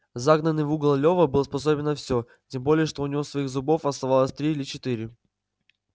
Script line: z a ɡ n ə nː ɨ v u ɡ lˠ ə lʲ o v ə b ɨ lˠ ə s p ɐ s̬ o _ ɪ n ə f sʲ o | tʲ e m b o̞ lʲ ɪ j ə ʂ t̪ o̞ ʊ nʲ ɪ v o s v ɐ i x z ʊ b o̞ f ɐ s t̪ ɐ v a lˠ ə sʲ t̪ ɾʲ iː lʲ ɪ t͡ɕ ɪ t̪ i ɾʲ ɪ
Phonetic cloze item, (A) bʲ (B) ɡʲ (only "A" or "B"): A